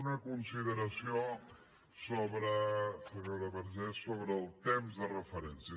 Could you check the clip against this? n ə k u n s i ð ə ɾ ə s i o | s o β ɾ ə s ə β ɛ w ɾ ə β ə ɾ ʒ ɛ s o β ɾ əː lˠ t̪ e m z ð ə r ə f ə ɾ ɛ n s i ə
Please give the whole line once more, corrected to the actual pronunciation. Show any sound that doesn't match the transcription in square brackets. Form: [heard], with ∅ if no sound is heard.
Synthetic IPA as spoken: n ə k u n s i ð ə ɾ ə s i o | s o β ɾ ə s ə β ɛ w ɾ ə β ə ɾ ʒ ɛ s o β ɾ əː lˠ t̪ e m z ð ə r ə f ə ɾ ɛ n s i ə